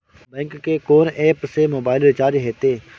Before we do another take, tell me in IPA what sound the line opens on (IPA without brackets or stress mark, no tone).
b